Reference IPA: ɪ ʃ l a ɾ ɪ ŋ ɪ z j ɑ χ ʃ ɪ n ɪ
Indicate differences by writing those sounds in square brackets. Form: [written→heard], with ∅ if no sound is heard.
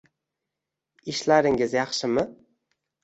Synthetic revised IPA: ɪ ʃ l a ɾ ɪ ŋ ɪ z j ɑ χ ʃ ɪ [n→m] ɪ

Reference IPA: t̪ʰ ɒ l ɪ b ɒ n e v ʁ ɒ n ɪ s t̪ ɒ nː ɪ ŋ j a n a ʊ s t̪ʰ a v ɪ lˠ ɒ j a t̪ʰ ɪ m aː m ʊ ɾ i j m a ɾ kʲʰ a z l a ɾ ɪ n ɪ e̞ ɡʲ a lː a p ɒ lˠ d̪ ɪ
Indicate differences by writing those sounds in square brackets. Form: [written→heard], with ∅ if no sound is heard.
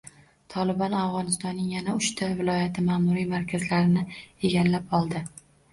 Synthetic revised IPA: t̪ʰ ɒ l ɪ b ɒ n [e→a] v ʁ ɒ n ɪ s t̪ ɒ nː ɪ ŋ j a n a ʊ [s→ʃ] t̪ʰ a v ɪ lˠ ɒ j a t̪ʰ ɪ m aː m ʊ ɾ i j m a ɾ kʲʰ a z l a ɾ ɪ n ɪ e̞ ɡʲ a lː a p ɒ lˠ d̪ ɪ

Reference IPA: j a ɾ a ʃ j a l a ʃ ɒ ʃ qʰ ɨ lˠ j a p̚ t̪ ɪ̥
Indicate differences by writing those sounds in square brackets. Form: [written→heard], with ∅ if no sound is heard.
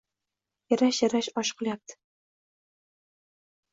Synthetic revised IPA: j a ɾ a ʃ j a [l→ɾ] a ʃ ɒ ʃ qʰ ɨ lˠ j a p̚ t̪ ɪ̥

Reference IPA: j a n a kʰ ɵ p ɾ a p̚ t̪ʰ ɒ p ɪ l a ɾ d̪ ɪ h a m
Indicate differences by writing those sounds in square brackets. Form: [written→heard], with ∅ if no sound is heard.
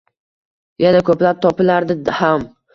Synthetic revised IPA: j a n a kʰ ɵ p [ɾ→l] a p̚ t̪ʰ ɒ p ɪ l a ɾ d̪ ɪ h a m

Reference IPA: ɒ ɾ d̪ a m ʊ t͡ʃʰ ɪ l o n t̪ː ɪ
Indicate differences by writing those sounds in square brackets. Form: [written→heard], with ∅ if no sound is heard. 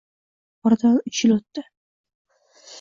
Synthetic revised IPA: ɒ ɾ d̪ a [m→n] ʊ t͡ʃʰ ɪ l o [n→∅] t̪ː ɪ

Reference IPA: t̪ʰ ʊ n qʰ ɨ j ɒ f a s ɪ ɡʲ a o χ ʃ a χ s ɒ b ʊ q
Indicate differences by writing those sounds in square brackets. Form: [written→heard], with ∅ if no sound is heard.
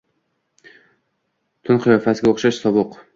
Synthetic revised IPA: t̪ʰ ʊ n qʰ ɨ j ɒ f a s ɪ ɡʲ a o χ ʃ a [χ→ʃ] s ɒ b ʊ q

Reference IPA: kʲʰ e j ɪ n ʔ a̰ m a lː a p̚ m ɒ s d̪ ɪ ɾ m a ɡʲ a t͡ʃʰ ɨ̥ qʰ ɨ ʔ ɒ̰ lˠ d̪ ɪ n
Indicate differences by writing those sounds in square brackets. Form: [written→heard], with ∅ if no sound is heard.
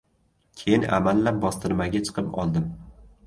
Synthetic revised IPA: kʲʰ e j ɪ n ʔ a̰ m a lː a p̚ [m→b] ɒ s [d̪→t̪] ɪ ɾ m a ɡʲ a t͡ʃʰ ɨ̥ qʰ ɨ [ʔ→p] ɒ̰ lˠ d̪ ɪ [n→m]

